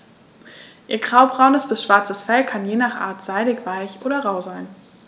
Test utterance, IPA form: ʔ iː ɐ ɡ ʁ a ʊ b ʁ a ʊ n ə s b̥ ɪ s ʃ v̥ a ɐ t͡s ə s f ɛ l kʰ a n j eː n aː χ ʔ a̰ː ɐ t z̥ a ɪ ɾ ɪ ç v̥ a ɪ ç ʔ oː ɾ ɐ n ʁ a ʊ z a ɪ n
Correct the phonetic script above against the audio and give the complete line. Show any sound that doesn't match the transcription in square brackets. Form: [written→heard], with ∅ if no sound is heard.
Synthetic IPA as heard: ʔ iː ɐ ɡ ʁ a ʊ b ʁ a ʊ n ə s b̥ ɪ s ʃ v̥ a ɐ t͡s ə s f ɛ l kʰ a n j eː n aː χ ʔ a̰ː ɐ t z̥ a ɪ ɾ ɪ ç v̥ a ɪ ç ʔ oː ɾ ɐ [n→∅] ʁ a ʊ z a ɪ n